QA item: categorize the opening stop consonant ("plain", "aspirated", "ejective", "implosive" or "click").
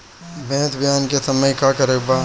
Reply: plain